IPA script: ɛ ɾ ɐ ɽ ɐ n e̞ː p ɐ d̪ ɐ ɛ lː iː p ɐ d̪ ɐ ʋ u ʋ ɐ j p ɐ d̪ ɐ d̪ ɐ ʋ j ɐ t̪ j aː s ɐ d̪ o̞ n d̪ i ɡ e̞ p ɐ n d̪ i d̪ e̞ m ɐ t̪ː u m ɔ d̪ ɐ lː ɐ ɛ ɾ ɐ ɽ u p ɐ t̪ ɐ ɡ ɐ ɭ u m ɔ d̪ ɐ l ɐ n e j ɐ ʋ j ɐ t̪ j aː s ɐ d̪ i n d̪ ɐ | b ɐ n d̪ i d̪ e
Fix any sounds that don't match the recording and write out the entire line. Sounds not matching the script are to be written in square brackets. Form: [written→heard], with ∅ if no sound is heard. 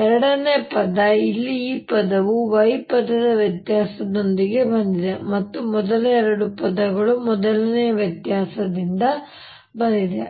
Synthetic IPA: ɛ ɾ ɐ ɽ ɐ n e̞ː p ɐ d̪ ɐ [ɛ→i] lː iː p ɐ d̪ ɐ ʋ u ʋ ɐ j p ɐ d̪ ɐ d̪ ɐ ʋ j ɐ t̪ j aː s ɐ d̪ o̞ n d̪ i ɡ e̞ [p→b] ɐ n d̪ i d̪ e̞ m ɐ t̪ː u m ɔ d̪ ɐ [lː→l] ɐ ɛ ɾ ɐ ɽ u p ɐ [t̪→d̪] ɐ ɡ ɐ ɭ u m ɔ d̪ ɐ l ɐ n e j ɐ ʋ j ɐ t̪ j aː s ɐ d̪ i n d̪ ɐ | b ɐ n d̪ i d̪ e

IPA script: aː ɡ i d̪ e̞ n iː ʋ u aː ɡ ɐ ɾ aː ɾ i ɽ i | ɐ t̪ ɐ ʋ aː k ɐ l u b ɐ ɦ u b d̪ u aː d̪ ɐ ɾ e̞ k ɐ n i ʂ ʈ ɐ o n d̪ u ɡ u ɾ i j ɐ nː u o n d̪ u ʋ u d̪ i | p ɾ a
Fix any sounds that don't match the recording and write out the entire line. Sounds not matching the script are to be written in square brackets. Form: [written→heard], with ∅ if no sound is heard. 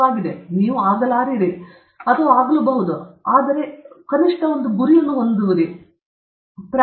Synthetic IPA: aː ɡ i d̪ e̞ n iː ʋ u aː ɡ ɐ [ɾ→l] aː ɾ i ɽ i | ɐ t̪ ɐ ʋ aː [k→ɡ] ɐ l u b ɐ ɦ u [b→∅] d̪ u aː d̪ ɐ ɾ e̞ k ɐ n i ʂ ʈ ɐ o n d̪ u ɡ u ɾ i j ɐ nː u o n d̪ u ʋ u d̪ i | p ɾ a

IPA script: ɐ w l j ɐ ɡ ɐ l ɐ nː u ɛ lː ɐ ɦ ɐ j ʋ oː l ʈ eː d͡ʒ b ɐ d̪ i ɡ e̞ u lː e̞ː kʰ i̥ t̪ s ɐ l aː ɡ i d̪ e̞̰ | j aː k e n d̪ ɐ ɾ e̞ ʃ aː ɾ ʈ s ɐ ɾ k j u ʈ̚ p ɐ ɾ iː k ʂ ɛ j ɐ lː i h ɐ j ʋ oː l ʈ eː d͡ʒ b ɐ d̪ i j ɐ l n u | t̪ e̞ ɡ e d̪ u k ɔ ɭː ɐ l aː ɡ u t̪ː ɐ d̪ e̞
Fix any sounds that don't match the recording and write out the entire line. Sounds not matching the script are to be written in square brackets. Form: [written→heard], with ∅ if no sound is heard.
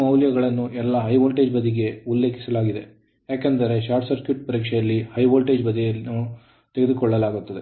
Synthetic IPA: ɐ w l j ɐ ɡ ɐ [l→ɭ] ɐ nː u ɛ lː ɐ ɦ ɐ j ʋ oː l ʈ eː d͡ʒ b ɐ d̪ i ɡ e̞ u lː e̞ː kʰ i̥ [t̪→∅] s ɐ l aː ɡ i d̪ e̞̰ | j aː k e n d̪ ɐ ɾ e̞ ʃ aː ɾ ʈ s ɐ ɾ k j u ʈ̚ p ɐ ɾ iː k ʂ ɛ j ɐ lː i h ɐ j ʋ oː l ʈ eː d͡ʒ b ɐ d̪ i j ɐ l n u | t̪ e̞ ɡ e d̪ u k ɔ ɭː ɐ l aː ɡ u t̪ː ɐ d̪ e̞

